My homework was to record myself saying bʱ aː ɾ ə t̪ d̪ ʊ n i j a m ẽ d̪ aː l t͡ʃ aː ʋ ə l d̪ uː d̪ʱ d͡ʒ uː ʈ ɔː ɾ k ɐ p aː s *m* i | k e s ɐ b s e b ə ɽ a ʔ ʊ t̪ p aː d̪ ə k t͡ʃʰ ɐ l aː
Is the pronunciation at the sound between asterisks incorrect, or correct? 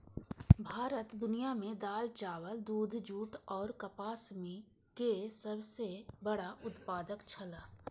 correct